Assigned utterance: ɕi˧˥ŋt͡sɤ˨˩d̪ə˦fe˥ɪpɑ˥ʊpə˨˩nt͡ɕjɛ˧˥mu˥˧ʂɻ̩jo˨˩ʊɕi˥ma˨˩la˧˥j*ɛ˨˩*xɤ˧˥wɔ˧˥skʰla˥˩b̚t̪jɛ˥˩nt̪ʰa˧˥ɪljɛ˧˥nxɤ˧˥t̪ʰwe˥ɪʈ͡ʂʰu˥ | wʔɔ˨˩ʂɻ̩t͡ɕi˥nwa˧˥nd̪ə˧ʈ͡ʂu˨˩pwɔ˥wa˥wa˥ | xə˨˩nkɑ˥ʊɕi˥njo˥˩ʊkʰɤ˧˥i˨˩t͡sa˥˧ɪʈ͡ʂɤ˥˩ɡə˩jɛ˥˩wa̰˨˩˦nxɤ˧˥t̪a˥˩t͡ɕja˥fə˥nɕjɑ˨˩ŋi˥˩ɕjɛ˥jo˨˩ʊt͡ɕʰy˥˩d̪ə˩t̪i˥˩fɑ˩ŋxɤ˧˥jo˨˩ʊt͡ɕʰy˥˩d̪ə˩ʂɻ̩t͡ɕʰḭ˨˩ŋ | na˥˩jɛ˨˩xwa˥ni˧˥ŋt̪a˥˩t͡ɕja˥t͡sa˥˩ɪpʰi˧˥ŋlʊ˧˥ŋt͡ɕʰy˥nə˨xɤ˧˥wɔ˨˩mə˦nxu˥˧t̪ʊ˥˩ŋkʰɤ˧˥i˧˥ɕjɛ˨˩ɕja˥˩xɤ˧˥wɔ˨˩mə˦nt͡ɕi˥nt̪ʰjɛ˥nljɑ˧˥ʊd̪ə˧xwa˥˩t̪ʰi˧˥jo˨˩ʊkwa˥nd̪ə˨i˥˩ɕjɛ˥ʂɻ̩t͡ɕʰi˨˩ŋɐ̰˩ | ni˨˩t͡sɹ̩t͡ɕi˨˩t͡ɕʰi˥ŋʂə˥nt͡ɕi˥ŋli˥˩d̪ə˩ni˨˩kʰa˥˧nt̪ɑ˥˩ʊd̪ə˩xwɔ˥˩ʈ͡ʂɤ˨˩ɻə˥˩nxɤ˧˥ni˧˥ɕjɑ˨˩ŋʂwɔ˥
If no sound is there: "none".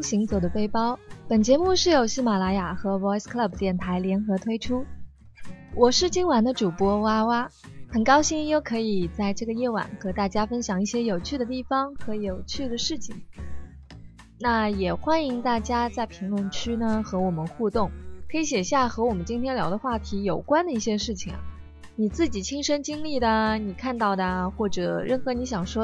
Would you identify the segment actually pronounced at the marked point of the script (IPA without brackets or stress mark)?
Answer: a˨˩